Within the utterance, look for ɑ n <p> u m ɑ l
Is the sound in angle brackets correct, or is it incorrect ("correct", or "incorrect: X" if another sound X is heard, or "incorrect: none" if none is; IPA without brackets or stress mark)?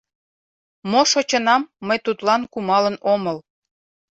incorrect: k